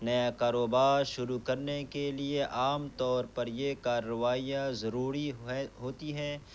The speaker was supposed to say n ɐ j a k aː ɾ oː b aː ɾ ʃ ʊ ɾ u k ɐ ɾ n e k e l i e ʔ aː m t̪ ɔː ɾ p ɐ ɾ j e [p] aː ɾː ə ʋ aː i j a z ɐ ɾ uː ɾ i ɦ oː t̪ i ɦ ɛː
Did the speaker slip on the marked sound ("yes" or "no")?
yes